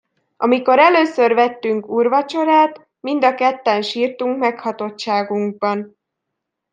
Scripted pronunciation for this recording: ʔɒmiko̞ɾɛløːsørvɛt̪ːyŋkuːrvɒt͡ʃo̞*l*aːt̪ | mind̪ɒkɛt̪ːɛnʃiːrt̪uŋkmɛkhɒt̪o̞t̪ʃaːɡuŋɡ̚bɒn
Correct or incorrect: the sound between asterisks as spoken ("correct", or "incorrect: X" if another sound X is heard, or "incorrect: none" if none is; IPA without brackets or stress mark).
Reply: incorrect: ɾ